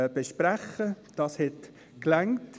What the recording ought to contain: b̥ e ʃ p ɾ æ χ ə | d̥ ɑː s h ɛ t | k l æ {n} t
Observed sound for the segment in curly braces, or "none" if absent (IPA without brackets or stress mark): ŋ